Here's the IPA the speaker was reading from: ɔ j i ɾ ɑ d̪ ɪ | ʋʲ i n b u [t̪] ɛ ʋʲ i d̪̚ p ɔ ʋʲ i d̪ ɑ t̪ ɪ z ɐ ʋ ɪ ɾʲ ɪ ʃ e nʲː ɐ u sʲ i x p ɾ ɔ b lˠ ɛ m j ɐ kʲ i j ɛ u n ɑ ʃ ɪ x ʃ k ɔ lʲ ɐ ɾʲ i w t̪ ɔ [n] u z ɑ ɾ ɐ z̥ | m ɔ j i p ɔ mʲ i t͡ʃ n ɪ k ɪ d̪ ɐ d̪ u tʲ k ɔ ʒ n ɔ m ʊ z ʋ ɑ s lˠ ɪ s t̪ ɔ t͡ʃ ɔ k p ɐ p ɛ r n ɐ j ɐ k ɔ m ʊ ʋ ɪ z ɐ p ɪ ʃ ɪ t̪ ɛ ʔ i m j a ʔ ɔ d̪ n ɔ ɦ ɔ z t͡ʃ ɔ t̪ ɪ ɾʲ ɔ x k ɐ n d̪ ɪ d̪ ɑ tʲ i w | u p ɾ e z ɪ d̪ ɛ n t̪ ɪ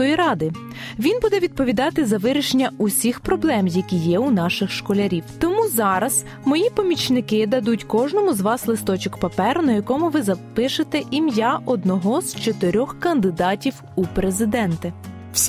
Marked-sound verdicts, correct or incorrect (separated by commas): incorrect, incorrect